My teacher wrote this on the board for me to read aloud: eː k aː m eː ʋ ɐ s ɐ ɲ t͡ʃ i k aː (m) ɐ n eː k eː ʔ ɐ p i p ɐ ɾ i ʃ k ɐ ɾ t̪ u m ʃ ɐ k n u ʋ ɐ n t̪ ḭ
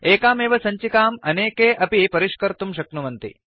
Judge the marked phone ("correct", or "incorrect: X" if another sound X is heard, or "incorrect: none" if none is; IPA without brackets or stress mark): correct